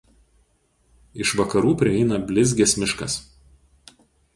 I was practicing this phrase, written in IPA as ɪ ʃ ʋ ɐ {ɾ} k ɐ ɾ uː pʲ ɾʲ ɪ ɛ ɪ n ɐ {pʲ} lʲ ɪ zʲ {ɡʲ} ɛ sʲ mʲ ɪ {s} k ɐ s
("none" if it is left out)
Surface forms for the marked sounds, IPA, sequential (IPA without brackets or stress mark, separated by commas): none, bʲ, ɡʲ, ʃ